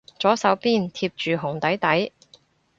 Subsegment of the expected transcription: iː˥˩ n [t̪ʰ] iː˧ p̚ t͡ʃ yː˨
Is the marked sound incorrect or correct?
correct